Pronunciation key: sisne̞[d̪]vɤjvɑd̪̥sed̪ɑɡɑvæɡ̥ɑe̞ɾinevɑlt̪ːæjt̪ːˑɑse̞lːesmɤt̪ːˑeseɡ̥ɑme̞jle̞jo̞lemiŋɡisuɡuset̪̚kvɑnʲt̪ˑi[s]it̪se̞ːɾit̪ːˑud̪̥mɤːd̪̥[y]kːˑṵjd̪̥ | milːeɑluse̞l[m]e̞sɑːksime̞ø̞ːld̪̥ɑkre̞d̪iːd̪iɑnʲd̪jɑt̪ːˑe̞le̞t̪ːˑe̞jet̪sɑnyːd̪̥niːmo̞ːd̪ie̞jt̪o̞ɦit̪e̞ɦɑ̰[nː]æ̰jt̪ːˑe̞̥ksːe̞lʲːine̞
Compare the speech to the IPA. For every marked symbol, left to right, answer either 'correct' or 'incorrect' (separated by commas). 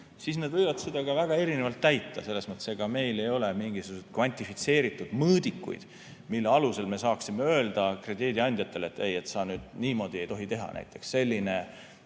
correct, incorrect, incorrect, correct, incorrect